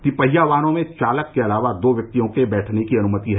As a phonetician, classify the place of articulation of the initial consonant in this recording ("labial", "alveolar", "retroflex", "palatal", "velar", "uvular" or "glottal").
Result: velar